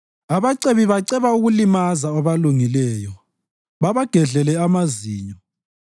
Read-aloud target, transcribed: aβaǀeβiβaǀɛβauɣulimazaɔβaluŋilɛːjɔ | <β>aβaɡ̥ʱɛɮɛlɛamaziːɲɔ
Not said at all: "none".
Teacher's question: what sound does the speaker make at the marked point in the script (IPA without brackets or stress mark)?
β